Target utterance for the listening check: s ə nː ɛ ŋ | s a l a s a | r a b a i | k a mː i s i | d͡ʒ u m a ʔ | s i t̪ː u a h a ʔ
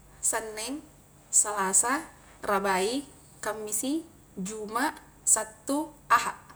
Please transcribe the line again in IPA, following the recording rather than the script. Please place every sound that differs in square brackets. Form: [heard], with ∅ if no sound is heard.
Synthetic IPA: s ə nː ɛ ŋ | s a l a s a | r a b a i | k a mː i s i | d͡ʒ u m a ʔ | s [a] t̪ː u a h a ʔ

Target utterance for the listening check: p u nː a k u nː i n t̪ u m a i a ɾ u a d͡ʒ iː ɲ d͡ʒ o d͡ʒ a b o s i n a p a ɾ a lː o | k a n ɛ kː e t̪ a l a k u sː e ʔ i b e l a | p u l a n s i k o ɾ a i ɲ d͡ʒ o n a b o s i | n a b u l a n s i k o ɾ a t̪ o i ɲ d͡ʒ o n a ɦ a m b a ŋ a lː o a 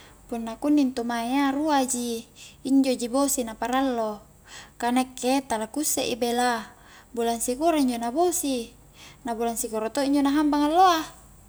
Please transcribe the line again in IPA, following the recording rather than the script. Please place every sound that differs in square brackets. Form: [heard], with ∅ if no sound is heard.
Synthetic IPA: p u nː a k u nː i n t̪ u m a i a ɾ u a d͡ʒ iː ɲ d͡ʒ o d͡ʒ [i] b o s i n a p a ɾ a lː o | k a n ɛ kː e t̪ a l a k u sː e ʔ i b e l a | [b] u l a n s i k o ɾ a i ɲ d͡ʒ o n a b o s i | n a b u l a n s i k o ɾ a t̪ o i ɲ d͡ʒ o n a ɦ a m b a ŋ a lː o a

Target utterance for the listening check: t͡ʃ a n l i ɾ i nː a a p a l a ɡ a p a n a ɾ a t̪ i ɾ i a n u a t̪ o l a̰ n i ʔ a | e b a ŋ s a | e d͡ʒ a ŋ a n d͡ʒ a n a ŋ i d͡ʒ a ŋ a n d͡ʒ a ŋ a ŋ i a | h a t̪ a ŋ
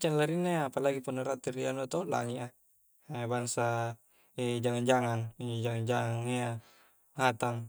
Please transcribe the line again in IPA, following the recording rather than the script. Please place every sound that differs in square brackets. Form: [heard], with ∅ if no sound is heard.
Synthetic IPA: t͡ʃ a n l [a] ɾ i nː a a p a l a ɡ [i] p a n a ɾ a t̪ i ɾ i a n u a t̪ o l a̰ [ŋ] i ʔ a | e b a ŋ s a | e d͡ʒ a ŋ a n d͡ʒ a [ŋ] a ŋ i d͡ʒ a ŋ a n d͡ʒ a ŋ a ŋ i a | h a t̪ a ŋ

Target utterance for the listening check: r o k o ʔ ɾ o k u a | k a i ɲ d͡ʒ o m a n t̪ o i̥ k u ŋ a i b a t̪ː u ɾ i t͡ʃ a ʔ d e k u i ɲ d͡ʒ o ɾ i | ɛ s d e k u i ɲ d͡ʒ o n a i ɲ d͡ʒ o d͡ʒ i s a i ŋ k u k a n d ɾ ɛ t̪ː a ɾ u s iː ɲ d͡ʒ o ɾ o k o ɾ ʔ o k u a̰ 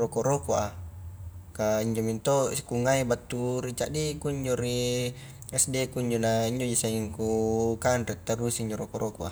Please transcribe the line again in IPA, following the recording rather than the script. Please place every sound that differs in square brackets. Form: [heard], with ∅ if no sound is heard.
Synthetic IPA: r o k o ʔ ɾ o k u a | k a i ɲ d͡ʒ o m [i] n t̪ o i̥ k u ŋ a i b a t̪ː u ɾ i t͡ʃ a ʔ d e k u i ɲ d͡ʒ o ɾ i | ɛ s d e k u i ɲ d͡ʒ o n a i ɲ d͡ʒ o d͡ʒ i s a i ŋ k u k a n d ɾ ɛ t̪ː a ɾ u s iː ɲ d͡ʒ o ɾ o k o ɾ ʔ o k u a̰

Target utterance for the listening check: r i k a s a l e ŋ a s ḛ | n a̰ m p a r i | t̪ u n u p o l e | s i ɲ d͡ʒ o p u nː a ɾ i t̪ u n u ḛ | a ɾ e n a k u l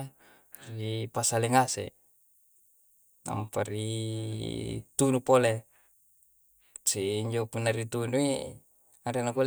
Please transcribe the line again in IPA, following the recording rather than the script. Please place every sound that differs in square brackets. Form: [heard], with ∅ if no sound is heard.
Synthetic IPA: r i [p] a s a l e ŋ a s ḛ | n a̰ m p a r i | t̪ u n u p o l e | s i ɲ d͡ʒ o p u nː a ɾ i t̪ u n u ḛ | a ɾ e n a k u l

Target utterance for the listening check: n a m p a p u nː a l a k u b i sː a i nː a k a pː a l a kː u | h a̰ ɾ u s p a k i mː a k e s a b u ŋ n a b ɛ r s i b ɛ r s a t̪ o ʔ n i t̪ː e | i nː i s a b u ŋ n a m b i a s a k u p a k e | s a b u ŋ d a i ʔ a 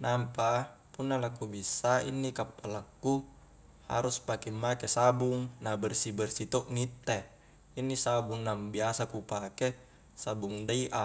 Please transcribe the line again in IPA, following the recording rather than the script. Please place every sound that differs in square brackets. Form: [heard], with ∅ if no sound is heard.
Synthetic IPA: n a m p a p u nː a l a k u b i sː a i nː [i] k a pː a l a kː u | h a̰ ɾ u s p a k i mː a k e s a b u ŋ n a b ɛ r s i b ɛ r s [i] t̪ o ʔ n i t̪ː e | i nː i s a b u ŋ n a m b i a s a k u p a k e | s a b u ŋ d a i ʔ a

